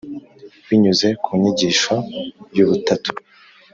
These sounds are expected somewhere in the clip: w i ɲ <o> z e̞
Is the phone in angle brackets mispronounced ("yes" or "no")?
yes